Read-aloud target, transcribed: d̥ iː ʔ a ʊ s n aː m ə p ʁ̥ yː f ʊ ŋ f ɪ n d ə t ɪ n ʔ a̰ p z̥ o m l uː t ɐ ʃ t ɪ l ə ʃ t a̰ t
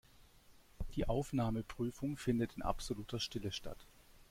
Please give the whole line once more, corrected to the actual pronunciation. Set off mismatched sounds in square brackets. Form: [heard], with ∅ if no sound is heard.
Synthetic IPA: d̥ iː ʔ a ʊ [f] n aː m ə p ʁ̥ yː f ʊ ŋ f ɪ n d ə t ɪ n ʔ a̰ p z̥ o [∅] l uː t ɐ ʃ t ɪ l ə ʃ t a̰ t